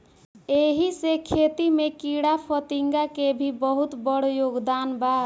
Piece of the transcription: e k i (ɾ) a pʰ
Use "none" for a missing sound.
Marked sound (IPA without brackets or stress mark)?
ɽ